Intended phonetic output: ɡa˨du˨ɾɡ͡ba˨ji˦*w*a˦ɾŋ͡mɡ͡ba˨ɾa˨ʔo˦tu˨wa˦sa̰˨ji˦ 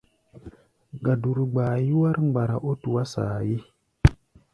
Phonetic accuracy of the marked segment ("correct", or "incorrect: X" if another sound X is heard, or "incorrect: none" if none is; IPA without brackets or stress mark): correct